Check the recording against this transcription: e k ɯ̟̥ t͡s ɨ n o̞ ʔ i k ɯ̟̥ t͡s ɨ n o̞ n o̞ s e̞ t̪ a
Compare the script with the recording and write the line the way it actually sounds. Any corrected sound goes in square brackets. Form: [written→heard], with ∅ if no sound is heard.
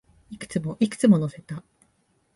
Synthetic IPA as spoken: [e→i] k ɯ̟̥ t͡s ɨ [n→m] o̞ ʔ i k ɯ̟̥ t͡s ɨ [n→m] o̞ n o̞ s e̞ t̪ a